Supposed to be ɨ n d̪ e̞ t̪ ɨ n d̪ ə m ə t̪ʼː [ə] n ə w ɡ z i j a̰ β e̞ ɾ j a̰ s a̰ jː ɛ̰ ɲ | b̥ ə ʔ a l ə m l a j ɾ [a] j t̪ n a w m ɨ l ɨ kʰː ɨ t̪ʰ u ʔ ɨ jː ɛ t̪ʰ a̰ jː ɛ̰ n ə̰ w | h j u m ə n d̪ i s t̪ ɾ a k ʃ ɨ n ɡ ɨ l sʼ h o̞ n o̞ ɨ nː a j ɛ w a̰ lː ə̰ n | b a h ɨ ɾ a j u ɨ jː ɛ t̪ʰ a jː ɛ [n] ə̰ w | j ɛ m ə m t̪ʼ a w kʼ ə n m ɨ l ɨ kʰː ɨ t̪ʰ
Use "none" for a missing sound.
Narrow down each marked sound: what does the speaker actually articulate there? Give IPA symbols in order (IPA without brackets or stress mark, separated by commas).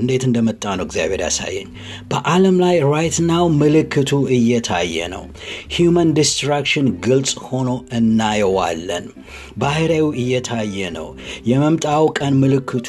a, a, n